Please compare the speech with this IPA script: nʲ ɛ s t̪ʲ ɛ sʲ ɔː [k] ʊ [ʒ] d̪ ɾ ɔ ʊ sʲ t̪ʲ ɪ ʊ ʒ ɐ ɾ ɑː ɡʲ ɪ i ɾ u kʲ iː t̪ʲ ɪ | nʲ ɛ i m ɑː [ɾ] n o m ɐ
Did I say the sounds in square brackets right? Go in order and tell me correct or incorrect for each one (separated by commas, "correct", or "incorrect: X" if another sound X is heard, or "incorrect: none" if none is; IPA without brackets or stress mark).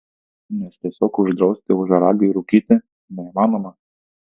correct, correct, incorrect: none